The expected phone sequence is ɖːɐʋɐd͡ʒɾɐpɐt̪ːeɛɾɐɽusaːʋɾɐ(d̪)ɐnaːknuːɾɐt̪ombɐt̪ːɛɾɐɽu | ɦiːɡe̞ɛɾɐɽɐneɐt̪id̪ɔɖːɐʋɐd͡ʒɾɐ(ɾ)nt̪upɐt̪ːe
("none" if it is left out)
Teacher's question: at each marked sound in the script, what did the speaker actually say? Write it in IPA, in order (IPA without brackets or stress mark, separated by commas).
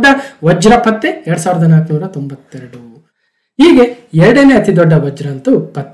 d̪, none